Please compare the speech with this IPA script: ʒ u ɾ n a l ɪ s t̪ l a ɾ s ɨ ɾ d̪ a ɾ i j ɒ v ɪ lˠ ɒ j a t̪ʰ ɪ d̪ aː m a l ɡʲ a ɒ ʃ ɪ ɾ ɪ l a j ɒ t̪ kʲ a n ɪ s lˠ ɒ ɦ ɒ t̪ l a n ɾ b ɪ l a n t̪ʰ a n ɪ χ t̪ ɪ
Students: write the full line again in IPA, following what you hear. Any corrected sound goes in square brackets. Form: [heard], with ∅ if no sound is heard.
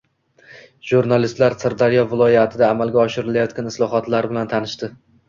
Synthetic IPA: ʒ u ɾ n a l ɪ s t̪ l a ɾ s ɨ ɾ d̪ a ɾ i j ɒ v ɪ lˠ ɒ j a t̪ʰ ɪ d̪ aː m a l ɡʲ a ɒ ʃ ɪ ɾ ɪ l a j ɒ t̪ kʲ a n ɪ s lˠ ɒ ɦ ɒ t̪ l a [∅] ɾ b ɪ l a n t̪ʰ a n ɪ [ʃ] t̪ ɪ